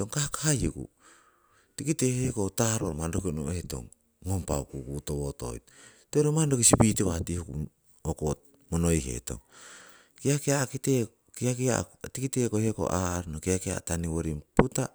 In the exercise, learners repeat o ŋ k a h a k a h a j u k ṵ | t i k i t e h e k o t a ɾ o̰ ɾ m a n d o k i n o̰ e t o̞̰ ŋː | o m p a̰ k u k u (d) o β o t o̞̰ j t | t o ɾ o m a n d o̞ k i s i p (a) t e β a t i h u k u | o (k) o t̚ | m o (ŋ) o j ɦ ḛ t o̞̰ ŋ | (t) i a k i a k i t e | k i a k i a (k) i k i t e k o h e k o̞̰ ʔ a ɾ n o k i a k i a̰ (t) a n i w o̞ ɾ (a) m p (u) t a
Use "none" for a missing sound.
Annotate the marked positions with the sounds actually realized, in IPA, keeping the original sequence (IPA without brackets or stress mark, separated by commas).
t, i, k, n, k, t, t, i, u